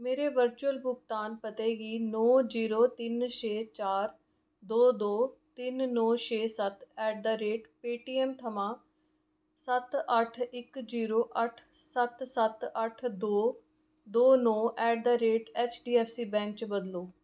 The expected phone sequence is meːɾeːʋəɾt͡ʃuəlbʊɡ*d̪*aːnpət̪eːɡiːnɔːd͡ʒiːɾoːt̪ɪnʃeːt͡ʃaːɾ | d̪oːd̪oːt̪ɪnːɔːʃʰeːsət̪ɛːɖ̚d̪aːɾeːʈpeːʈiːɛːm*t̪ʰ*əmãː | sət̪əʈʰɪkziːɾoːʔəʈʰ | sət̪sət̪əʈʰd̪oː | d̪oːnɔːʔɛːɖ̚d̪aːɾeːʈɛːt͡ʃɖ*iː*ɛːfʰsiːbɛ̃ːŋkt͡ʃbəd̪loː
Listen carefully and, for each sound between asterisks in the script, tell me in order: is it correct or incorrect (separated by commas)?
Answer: incorrect, correct, correct